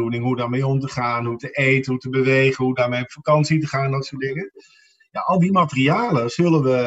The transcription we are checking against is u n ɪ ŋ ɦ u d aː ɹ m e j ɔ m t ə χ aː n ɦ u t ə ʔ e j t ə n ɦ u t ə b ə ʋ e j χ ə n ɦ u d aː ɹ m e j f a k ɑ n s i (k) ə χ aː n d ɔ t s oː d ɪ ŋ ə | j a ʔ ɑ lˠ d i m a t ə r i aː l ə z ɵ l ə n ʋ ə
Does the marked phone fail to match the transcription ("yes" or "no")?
yes